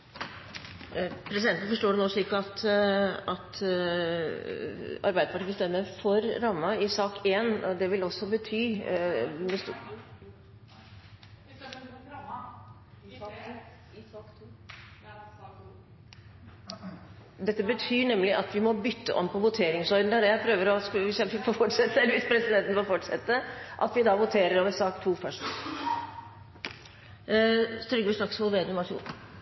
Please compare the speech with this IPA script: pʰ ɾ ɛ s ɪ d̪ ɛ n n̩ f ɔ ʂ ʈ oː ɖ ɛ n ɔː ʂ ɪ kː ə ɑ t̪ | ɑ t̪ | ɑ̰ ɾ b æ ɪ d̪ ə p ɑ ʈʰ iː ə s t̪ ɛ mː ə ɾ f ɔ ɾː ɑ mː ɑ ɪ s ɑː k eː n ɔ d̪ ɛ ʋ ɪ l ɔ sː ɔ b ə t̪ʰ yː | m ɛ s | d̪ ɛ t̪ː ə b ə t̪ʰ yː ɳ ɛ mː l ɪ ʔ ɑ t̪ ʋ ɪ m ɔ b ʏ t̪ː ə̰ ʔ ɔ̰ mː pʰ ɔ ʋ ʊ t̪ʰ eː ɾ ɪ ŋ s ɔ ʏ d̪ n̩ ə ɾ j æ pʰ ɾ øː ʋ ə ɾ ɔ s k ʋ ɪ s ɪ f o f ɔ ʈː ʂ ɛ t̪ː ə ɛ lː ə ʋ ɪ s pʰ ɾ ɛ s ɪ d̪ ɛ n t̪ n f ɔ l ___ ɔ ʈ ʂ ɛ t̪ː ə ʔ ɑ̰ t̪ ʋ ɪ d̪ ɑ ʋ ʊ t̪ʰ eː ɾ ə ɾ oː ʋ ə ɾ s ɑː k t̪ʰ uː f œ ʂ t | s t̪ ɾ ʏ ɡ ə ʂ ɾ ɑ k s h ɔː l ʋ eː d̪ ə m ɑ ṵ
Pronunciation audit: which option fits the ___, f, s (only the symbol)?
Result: f